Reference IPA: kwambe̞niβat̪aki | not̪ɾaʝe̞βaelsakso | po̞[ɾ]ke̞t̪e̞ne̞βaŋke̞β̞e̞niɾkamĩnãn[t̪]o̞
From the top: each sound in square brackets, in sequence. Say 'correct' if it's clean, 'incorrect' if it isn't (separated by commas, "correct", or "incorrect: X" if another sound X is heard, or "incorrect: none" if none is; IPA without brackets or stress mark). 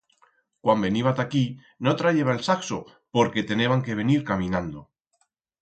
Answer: correct, incorrect: d̪